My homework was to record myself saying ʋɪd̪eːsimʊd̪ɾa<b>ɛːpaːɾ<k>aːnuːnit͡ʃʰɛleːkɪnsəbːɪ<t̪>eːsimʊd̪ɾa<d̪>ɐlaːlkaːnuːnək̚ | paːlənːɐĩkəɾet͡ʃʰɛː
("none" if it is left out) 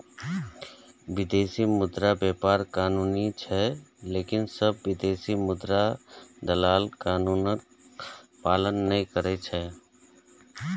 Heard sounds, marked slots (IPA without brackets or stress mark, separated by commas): b, k, d̪, d̪